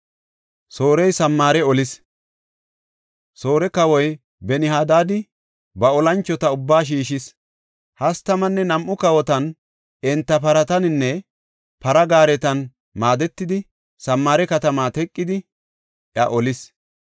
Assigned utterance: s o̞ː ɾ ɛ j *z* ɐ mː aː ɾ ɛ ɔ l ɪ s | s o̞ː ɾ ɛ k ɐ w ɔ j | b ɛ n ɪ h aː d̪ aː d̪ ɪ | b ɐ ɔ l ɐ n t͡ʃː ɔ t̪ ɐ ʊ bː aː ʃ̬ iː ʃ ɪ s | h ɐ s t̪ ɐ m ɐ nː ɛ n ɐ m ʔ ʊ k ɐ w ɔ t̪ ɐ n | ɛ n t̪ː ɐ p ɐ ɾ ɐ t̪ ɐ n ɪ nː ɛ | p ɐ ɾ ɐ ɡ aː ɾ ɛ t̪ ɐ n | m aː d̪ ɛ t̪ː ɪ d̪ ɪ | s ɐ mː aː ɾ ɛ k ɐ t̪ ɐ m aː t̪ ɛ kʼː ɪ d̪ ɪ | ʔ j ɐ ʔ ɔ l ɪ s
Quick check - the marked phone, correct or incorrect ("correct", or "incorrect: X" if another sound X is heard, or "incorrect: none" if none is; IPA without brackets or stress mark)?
incorrect: s